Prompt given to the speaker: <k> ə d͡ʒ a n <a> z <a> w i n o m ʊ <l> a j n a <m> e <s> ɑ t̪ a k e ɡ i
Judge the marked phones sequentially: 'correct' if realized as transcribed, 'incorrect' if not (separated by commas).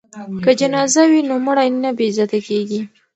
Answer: correct, incorrect, correct, incorrect, incorrect, incorrect